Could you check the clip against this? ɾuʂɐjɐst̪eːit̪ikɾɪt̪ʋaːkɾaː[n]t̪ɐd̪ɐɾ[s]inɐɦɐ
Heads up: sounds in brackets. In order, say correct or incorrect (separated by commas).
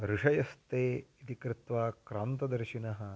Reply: correct, incorrect